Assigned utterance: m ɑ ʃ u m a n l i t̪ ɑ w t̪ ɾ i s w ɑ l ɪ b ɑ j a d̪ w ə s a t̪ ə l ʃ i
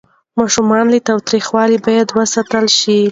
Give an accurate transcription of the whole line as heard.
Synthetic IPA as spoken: m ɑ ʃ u m ɑ n l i t̪ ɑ w t̪ ɾ i x w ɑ l i b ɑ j a d̪ w ə s a t̪ ə l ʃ i